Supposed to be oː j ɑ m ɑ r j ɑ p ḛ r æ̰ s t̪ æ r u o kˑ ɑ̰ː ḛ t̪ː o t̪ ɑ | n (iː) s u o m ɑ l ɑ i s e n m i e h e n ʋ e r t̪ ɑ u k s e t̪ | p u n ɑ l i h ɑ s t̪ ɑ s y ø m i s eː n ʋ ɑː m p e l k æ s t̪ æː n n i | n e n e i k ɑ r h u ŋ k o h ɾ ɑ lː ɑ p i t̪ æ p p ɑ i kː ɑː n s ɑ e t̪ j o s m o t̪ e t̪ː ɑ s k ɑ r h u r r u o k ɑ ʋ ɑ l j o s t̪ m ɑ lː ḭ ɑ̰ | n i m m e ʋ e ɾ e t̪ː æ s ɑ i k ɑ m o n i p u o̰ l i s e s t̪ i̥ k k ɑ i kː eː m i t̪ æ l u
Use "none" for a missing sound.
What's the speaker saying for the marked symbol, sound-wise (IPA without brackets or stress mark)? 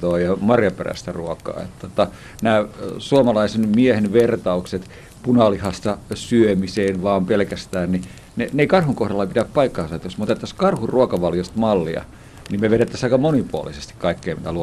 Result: æː